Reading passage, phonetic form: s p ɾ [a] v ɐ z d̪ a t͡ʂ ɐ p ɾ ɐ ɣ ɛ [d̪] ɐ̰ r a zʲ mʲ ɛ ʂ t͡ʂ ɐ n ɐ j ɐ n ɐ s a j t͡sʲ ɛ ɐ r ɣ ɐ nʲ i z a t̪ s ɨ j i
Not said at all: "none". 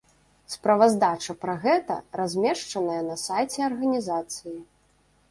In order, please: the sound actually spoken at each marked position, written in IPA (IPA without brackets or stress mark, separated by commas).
ɐ, t̪